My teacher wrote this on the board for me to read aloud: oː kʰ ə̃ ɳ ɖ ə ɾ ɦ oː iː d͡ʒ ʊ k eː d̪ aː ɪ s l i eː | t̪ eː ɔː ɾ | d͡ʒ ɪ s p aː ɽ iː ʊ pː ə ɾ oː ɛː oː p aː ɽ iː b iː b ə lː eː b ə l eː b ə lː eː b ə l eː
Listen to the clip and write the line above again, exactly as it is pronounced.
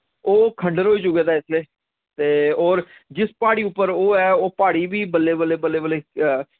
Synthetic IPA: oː kʰ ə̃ ɳ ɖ ə ɾ ɦ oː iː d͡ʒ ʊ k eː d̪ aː ɪ s l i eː | t̪ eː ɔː ɾ | d͡ʒ ɪ s p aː ɽ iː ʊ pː ə ɾ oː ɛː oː p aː ɽ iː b iː b ə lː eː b ə l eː b ə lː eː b ə l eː